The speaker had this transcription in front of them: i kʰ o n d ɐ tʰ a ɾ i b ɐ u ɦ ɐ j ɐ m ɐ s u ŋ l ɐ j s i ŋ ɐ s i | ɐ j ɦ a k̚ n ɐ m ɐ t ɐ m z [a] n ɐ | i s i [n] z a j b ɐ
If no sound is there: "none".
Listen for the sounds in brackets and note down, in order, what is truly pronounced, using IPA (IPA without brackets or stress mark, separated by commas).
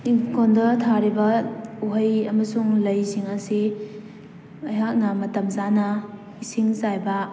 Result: a, ŋ